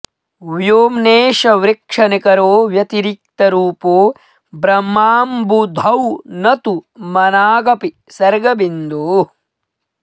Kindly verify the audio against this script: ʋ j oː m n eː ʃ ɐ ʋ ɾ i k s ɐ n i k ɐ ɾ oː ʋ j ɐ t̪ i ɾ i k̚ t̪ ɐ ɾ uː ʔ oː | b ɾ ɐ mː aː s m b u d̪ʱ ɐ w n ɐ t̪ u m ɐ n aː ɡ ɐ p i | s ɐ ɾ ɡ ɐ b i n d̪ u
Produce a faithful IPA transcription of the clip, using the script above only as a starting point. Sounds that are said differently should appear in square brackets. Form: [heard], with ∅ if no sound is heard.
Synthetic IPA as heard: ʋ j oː m n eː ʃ ɐ ʋ ɾ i k [ʂ] ɐ n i k ɐ ɾ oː ʋ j ɐ t̪ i ɾ i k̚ t̪ ɐ ɾ uː [p] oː | b ɾ ɐ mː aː [∅] m b u d̪ʱ ɐ w n ɐ t̪ u m ɐ n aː ɡ ɐ p i | s ɐ ɾ ɡ ɐ b i n d̪ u